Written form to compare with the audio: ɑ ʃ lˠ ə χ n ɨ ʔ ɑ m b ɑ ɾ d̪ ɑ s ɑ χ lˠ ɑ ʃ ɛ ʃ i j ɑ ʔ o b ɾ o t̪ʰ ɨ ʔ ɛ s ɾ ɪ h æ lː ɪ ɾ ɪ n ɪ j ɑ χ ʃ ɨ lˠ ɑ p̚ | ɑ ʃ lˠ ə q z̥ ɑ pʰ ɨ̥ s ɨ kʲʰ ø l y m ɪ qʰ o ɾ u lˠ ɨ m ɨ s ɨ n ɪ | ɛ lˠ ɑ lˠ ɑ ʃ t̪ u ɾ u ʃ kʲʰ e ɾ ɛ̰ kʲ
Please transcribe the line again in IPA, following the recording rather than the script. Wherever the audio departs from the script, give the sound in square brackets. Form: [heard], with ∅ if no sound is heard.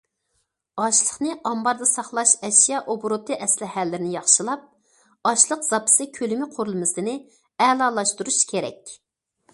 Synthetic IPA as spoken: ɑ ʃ lˠ ə χ n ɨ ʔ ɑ m b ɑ ɾ d̪ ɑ s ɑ χ lˠ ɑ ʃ ɛ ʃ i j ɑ ʔ o b ɾ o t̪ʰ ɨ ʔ ɛ s [l] ɪ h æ lː ɪ ɾ ɪ n ɪ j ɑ χ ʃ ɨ lˠ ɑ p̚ | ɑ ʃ lˠ ə q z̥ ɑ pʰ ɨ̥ s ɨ kʲʰ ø l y m ɪ qʰ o ɾ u lˠ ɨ m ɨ s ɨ n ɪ | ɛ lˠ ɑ lˠ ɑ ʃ t̪ u ɾ u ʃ kʲʰ e ɾ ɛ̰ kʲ

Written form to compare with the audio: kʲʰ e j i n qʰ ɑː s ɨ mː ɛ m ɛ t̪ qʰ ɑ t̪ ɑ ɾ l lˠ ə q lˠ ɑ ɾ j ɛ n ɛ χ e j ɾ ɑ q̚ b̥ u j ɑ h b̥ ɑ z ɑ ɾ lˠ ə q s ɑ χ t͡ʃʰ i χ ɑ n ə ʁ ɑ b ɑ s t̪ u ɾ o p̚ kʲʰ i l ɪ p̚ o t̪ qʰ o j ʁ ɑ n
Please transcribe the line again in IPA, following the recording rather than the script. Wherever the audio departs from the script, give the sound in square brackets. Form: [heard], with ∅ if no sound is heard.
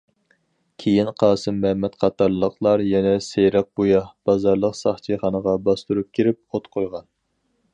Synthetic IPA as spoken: kʲʰ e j i n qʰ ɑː s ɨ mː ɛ m ɛ t̪ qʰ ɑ t̪ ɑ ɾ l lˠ ə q lˠ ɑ ɾ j ɛ n ɛ [s] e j ɾ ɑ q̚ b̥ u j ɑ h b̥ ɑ z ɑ ɾ lˠ ə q s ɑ χ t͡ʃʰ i χ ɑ n ə ʁ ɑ b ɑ s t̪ u ɾ [u] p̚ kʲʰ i [ɾ] ɪ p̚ o t̪ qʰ o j ʁ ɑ n

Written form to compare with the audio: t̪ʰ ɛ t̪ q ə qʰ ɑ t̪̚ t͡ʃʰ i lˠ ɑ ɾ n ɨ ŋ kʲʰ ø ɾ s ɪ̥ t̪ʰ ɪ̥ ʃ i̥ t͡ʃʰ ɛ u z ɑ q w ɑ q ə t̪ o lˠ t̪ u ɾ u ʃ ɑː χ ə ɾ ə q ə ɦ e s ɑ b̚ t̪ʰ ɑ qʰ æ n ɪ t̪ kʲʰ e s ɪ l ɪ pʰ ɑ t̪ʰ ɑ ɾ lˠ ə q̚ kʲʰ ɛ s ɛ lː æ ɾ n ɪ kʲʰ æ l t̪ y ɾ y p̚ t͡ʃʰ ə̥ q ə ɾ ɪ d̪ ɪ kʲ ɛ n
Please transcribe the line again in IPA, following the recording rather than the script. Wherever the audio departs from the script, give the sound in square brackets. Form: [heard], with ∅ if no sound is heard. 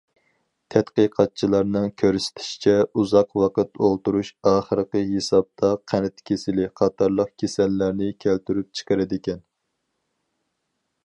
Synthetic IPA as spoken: t̪ʰ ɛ t̪ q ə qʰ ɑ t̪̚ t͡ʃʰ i lˠ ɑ ɾ n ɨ ŋ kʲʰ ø ɾ s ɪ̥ t̪ʰ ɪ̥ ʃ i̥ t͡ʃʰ ɛ u z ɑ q w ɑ q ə t̪ o lˠ t̪ u ɾ u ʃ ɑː χ ə ɾ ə q ə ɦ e s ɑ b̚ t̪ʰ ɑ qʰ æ n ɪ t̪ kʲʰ e s ɪ l ɪ [qʰ] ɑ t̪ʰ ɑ ɾ lˠ ə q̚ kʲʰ [e] s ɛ lː æ ɾ n ɪ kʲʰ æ l t̪ y ɾ y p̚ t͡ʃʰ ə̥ q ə ɾ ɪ d̪ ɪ kʲ ɛ n

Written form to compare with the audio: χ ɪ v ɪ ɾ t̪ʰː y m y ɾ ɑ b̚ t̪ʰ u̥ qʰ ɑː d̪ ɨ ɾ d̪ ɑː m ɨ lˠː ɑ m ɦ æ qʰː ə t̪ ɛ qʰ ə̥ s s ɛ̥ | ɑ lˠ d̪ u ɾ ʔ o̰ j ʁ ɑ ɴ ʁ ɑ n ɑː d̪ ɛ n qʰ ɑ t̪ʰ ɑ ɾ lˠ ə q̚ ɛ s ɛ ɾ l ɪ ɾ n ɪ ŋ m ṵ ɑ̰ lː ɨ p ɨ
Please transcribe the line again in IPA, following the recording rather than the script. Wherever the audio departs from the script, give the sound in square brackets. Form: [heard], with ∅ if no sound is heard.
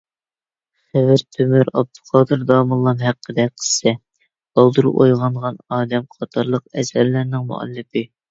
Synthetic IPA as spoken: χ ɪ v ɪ ɾ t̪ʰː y m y ɾ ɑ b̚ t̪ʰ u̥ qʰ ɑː d̪ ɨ ɾ d̪ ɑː m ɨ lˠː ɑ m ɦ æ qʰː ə [d̪] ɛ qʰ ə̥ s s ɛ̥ | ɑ lˠ d̪ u ɾ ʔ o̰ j ʁ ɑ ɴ ʁ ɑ n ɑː d̪ ɛ [m] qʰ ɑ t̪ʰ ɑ ɾ lˠ ə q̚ ɛ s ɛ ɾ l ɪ ɾ n ɪ ŋ m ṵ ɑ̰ lː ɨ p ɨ

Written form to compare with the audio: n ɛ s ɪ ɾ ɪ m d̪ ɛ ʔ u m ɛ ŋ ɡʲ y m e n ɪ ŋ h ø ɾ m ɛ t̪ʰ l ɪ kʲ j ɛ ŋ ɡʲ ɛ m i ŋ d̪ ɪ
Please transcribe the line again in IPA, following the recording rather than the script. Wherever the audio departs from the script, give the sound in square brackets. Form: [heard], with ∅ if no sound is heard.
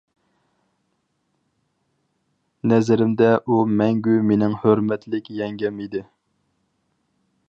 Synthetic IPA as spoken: n ɛ [z] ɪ ɾ ɪ m d̪ ɛ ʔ u m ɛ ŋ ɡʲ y m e n ɪ ŋ h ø ɾ m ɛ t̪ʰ l ɪ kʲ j ɛ ŋ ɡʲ ɛ m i [∅] d̪ ɪ

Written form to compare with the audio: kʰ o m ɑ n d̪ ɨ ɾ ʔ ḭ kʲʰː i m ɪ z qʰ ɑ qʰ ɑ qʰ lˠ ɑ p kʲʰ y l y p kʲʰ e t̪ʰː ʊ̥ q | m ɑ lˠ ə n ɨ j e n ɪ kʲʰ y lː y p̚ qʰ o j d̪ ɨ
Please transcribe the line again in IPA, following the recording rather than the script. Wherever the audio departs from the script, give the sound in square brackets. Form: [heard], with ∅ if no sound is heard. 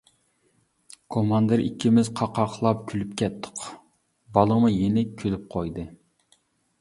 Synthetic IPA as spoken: kʰ o m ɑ n d̪ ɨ ɾ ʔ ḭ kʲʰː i m ɪ z qʰ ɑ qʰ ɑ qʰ lˠ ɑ p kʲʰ y l y p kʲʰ [ɛ] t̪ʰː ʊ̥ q | [b] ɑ lˠ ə [m] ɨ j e n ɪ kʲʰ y [l] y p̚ qʰ o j d̪ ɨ

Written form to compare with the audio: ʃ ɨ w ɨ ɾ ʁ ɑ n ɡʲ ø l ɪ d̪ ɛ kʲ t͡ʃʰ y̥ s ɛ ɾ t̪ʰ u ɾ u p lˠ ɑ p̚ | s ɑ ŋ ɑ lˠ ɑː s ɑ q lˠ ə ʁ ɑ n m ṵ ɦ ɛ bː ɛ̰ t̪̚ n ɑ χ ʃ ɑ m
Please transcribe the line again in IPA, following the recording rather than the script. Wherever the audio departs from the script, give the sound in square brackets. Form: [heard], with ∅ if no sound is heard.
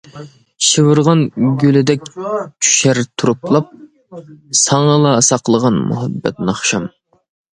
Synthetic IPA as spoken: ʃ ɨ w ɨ ɾ ʁ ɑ n ɡʲ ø l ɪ d̪ ɛ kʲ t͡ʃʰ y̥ [ʃ] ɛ ɾ t̪ʰ u ɾ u p lˠ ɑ p̚ | s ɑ ŋ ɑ lˠ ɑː s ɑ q lˠ ə ʁ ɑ n m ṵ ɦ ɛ bː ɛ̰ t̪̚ n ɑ χ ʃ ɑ m

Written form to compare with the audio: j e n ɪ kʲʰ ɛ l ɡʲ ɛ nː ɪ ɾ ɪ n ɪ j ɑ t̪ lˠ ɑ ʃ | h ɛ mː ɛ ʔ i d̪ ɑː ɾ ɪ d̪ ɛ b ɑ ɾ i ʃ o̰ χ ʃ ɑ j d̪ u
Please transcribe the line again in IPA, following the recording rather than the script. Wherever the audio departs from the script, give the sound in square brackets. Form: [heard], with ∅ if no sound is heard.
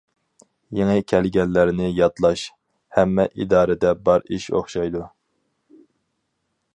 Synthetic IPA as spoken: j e [ŋ] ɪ kʲʰ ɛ l ɡʲ ɛ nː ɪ ɾ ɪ n ɪ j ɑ t̪ lˠ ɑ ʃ | h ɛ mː ɛ ʔ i d̪ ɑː ɾ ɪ d̪ ɛ b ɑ ɾ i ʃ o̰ χ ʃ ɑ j d̪ u

